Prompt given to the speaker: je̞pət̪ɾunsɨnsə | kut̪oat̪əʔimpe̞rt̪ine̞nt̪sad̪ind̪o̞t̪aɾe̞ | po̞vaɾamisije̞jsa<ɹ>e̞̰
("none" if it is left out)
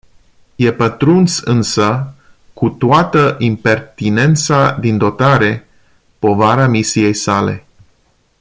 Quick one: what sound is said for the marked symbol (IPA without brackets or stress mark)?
l